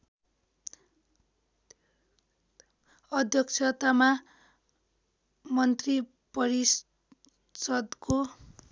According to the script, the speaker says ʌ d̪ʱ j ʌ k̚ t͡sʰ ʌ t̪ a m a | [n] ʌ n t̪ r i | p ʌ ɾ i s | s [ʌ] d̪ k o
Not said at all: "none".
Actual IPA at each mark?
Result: m, ʌ

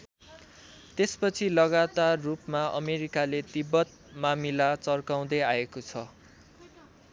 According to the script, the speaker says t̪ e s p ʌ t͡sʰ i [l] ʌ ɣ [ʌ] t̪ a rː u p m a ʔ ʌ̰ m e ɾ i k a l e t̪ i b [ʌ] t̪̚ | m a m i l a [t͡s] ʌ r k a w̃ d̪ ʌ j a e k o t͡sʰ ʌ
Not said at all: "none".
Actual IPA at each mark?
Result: l, a, ʌ, t͡s

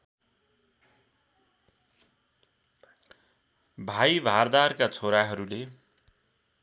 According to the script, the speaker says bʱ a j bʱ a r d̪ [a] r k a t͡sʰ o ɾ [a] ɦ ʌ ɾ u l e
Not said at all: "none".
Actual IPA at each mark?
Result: a, a

